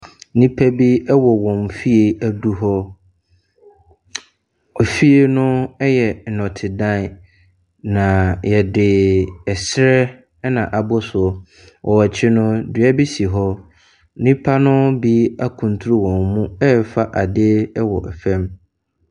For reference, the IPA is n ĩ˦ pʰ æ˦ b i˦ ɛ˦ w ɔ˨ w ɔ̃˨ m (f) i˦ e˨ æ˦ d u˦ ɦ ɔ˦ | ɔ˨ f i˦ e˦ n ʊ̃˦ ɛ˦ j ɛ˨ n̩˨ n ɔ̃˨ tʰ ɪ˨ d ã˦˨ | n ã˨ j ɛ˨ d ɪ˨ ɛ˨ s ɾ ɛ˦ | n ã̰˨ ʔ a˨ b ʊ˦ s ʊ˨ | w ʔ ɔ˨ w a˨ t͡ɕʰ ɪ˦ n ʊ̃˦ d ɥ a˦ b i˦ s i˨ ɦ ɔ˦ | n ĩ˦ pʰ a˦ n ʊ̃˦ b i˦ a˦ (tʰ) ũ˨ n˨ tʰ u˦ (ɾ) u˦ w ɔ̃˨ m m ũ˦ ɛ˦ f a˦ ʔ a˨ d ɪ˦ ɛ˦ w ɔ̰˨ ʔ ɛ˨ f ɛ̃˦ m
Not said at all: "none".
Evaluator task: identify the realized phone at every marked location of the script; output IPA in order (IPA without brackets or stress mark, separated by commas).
f, kʰ, ɾ